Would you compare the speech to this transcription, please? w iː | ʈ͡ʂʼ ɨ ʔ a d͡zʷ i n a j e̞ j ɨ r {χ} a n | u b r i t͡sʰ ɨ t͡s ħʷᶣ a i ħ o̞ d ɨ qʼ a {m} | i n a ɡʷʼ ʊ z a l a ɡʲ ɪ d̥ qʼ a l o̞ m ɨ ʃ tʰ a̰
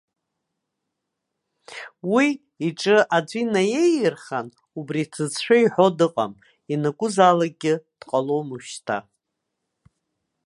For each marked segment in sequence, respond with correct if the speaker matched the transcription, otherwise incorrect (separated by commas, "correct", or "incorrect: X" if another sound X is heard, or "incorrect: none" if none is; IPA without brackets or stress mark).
correct, correct